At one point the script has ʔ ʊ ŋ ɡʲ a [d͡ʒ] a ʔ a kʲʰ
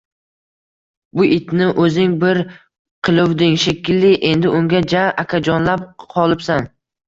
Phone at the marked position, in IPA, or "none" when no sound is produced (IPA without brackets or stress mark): d͡ʒ